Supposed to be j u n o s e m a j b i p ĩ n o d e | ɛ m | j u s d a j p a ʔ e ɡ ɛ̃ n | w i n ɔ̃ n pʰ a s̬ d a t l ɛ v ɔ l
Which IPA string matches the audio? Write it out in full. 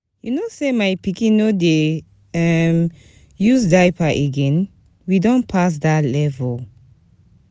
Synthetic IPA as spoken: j u n o s e m a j p i k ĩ n o d e | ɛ m | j u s d a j p a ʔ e ɡ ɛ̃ n | w i d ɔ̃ n pʰ a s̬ d a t l ɛ v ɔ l